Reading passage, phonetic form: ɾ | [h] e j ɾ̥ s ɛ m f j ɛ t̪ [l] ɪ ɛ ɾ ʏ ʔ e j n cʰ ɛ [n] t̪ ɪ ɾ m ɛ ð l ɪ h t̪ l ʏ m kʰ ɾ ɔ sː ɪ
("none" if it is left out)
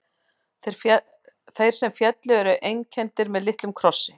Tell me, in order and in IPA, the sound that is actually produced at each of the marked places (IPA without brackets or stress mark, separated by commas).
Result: θ, l, n